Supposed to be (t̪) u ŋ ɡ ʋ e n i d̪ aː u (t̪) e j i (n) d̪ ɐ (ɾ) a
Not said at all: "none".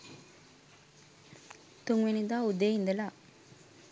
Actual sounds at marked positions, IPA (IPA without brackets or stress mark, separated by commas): t̪, d̪, n, l